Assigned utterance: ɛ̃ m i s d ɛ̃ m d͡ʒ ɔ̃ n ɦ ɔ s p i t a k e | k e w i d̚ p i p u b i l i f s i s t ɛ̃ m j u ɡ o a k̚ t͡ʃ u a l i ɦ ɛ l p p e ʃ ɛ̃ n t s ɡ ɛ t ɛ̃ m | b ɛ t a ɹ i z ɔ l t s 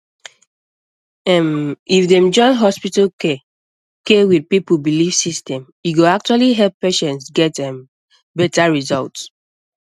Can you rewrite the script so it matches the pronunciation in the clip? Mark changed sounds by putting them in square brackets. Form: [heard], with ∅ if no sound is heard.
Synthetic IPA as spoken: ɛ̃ m i [f] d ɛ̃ m d͡ʒ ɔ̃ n ɦ ɔ s p i t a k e | k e w i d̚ p i p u b i l i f s i s t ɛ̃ m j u ɡ o a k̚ t͡ʃ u a l i ɦ ɛ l p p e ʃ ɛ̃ n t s ɡ ɛ t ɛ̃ m | b ɛ t a ɹ i z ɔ l t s